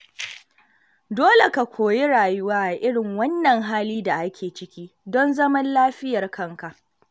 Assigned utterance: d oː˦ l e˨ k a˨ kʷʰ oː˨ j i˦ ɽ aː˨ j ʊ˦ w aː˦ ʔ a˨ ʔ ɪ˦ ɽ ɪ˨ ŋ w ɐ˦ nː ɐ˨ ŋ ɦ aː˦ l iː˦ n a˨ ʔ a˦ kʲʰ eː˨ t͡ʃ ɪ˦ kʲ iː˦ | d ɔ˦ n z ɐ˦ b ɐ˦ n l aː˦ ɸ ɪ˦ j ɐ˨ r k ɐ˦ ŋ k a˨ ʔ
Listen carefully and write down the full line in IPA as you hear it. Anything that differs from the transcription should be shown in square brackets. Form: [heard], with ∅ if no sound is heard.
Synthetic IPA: d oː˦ l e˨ k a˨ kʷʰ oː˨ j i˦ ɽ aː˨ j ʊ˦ w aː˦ ʔ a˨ ʔ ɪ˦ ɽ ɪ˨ ŋ w ɐ˦ nː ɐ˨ ŋ ɦ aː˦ l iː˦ [d] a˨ ʔ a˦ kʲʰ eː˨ t͡ʃ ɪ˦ kʲ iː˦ | d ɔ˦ n z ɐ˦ [m] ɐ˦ n l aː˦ ɸ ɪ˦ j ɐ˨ r k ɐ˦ ŋ k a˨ ʔ